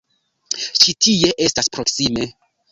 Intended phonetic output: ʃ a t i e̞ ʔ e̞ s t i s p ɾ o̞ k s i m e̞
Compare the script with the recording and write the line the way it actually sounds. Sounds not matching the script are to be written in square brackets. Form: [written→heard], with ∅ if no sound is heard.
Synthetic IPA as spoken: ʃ [a→i] t i e̞ ʔ e̞ s t [i→a] s p ɾ o̞ k s i m e̞